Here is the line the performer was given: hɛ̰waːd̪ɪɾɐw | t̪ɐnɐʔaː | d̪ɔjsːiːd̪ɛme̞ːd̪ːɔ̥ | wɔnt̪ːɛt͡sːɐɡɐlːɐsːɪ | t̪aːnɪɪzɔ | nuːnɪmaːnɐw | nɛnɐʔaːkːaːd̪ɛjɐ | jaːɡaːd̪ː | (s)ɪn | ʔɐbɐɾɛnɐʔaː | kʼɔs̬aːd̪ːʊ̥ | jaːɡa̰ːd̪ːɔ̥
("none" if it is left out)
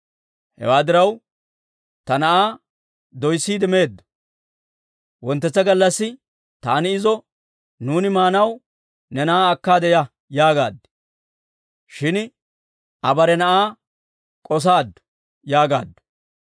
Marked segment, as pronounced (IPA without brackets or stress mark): ʃ